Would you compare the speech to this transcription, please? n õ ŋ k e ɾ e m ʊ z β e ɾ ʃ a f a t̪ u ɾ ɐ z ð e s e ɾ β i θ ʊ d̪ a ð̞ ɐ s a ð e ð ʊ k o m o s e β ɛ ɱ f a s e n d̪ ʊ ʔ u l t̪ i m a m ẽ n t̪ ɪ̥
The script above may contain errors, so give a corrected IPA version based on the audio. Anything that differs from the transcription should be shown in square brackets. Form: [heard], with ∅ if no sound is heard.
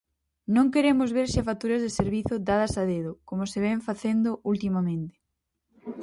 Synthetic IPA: n õ ŋ k e ɾ e m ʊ z β e ɾ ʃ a f a t̪ u ɾ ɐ z ð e s e ɾ β i θ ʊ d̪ a ð̞ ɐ s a ð e ð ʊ k o m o s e β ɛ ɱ f a [θ] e n d̪ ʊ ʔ u l t̪ i m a m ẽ n t̪ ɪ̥